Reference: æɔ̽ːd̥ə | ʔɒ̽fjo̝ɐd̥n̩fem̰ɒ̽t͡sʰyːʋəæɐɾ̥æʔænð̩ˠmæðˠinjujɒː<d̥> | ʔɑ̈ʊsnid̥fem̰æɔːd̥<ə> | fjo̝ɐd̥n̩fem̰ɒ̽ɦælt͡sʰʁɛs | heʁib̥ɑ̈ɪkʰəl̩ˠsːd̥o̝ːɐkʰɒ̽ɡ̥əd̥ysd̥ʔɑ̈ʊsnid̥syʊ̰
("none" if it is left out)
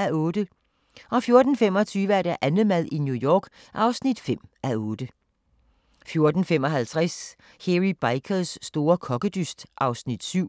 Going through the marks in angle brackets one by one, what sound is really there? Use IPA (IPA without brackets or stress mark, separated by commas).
ɡ̥, ə